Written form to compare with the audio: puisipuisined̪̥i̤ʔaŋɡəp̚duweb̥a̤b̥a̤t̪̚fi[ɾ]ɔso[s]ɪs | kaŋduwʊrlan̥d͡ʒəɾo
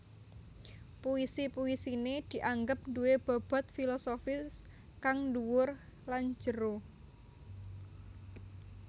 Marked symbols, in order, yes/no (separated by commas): no, no